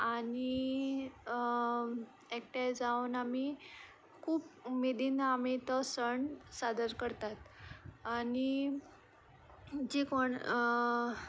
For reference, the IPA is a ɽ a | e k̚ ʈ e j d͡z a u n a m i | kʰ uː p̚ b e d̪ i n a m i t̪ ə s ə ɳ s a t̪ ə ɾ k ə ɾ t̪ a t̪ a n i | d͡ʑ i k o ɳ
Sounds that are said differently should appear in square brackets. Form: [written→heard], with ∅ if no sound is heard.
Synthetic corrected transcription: a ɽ [a→i] | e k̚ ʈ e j d͡z a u n a m i | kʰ uː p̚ [b→m] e d̪ i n a m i t̪ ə s ə ɳ s a [t̪→d̪] ə ɾ k ə ɾ t̪ a t̪ a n i | d͡ʑ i k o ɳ